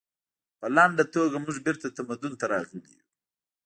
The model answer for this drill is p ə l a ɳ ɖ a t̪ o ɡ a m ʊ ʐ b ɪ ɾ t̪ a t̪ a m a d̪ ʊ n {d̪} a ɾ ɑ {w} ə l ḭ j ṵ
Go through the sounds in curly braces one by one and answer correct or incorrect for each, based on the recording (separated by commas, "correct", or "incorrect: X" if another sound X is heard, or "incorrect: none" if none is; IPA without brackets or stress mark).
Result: incorrect: t̪, incorrect: ɣ